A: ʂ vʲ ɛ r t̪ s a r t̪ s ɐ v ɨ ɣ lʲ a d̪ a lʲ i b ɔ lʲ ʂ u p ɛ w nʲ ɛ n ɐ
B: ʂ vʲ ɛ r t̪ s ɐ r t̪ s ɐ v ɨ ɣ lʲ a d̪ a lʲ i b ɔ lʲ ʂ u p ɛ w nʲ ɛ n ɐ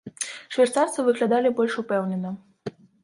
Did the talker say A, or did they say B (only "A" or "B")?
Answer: A